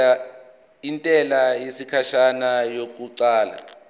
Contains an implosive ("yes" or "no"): no